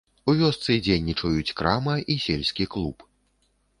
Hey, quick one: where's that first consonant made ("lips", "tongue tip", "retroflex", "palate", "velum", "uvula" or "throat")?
lips